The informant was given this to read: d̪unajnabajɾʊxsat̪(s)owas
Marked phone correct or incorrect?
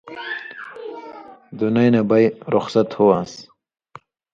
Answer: incorrect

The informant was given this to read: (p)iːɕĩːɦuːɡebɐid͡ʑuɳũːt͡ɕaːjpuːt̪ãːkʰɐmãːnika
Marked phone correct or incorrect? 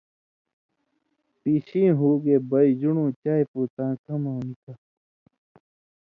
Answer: correct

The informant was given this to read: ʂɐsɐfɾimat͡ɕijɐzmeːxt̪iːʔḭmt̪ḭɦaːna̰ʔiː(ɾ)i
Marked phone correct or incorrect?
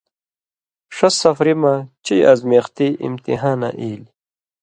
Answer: incorrect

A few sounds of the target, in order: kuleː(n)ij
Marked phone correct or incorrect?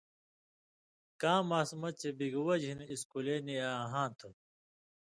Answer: correct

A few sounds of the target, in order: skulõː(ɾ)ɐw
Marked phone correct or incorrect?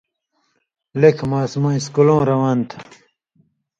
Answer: correct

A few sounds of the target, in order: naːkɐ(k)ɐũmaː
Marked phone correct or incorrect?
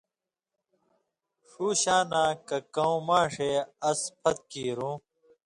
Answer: correct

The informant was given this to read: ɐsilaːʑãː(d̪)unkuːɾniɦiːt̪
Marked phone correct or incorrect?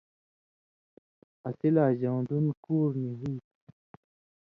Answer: correct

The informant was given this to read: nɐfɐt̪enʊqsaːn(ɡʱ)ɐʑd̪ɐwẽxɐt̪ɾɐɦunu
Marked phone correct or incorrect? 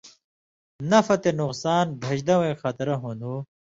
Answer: incorrect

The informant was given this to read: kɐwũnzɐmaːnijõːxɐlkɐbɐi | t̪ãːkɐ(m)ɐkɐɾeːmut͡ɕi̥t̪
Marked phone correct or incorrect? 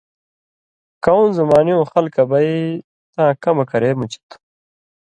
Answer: correct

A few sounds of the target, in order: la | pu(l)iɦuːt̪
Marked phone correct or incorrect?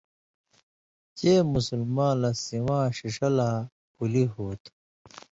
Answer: correct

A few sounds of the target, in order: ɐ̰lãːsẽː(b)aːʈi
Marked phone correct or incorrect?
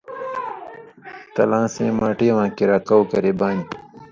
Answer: incorrect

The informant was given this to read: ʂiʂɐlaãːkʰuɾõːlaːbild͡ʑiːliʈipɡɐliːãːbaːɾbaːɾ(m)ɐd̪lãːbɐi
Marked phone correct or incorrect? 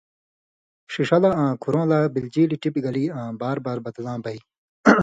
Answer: incorrect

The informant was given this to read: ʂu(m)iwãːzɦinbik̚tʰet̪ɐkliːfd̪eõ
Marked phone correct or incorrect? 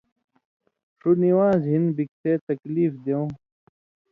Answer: incorrect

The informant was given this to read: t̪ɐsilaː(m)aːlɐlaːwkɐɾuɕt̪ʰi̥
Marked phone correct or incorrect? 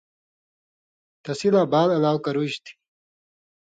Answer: incorrect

